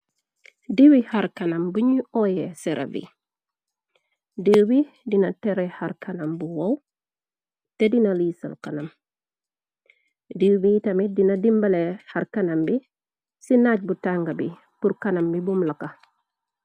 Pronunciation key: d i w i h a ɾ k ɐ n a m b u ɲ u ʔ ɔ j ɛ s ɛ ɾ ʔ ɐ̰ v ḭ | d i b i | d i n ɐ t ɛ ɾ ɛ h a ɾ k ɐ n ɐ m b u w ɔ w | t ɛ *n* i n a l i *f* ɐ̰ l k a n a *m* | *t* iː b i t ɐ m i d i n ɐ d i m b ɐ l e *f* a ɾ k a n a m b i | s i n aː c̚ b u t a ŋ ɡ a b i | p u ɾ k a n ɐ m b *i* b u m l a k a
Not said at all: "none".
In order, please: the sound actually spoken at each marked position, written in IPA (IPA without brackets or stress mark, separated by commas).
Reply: d, s, m, d, h, i